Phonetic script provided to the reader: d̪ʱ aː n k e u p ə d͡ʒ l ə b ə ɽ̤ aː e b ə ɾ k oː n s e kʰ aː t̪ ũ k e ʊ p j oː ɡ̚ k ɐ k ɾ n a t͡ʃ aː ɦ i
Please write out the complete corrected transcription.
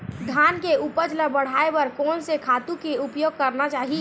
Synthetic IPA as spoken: d̪ʱ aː n k e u p ə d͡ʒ l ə b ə ɽ̤ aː e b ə ɾ k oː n s e kʰ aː t̪ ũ k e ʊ p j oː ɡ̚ k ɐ ɾ n a t͡ʃ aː ɦ i